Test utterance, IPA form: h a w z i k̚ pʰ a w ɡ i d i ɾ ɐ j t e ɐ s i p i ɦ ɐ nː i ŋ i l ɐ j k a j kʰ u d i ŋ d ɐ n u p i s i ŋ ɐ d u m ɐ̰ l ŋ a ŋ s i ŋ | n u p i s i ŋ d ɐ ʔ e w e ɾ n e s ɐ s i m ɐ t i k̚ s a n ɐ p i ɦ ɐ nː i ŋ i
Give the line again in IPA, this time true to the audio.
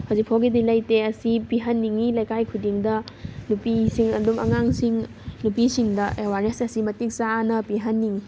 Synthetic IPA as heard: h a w z i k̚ pʰ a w ɡ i d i l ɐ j t e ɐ s i p i ɦ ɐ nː i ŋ i l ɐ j k a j kʰ u d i ŋ d ɐ n u p i s i ŋ ɐ d u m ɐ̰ ŋ a ŋ s i ŋ | n u p i s i ŋ d ɐ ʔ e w a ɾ n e s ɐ s i m ɐ t i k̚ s a n ɐ p i ɦ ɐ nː i ŋ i